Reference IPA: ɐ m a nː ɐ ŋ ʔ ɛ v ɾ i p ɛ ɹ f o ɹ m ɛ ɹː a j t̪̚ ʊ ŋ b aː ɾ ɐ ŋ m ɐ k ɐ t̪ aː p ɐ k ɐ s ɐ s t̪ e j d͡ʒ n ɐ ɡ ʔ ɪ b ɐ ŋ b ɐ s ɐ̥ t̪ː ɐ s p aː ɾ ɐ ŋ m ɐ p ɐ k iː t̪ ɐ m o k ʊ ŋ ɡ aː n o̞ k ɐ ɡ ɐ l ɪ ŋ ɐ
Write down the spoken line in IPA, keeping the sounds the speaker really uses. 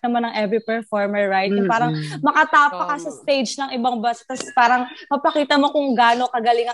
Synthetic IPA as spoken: ɐ m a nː ɐ ŋ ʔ ɛ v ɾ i p ɛ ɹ f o ɹ m ɛ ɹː a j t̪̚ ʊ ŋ p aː ɾ ɐ ŋ m ɐ k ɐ t̪ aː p ɐ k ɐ s ɐ s t̪ e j d͡ʒ n ɐ ŋ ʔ ɪ b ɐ ŋ b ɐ s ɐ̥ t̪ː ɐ s p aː ɾ ɐ ŋ m ɐ p ɐ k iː t̪ ɐ m o k ʊ ŋ ɡ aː n o̞ k ɐ ɡ ɐ l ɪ ŋ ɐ